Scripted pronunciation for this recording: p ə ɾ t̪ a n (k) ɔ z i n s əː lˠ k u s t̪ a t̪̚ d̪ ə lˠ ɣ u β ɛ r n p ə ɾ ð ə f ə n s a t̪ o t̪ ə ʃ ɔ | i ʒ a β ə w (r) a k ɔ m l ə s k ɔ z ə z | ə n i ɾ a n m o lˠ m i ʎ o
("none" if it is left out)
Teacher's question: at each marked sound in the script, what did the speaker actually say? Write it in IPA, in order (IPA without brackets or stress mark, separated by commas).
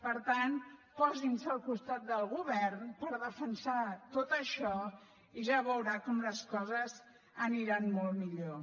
p, ɾ